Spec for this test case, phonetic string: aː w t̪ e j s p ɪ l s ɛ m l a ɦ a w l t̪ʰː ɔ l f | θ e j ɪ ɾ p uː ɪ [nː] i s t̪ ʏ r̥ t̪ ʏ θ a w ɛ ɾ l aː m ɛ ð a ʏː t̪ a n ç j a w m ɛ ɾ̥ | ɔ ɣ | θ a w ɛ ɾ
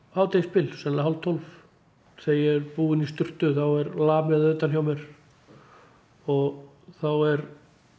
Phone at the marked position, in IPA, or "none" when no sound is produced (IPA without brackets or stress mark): n